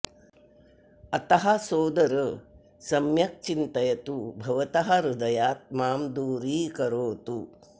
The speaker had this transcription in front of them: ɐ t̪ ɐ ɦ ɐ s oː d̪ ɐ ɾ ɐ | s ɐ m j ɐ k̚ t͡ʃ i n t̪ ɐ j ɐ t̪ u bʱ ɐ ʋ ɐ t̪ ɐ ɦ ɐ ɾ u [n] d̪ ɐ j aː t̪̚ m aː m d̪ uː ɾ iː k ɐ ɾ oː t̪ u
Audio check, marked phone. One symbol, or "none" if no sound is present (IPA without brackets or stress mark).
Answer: none